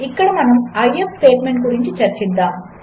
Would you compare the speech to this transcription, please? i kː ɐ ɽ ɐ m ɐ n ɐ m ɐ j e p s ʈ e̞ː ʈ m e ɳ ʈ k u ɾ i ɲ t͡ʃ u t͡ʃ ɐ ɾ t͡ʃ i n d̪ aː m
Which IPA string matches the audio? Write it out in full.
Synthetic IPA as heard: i kː ɐ ɽ ɐ m ɐ n ɐ m ɐ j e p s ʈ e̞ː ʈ m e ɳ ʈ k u ɾ i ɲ t͡ʃ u t͡ʃ ɐ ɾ t͡ʃ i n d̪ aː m